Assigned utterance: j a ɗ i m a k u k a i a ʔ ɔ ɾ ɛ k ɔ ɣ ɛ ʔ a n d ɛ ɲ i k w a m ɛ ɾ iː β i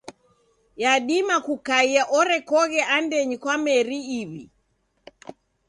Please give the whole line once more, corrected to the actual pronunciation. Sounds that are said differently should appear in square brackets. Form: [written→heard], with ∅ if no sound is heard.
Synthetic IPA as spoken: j a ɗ i m a k u k a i a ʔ ɔ ɾ ɛ k ɔ ɣ ɛ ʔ a n d ɛ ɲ i k w a m ɛ ɾ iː β i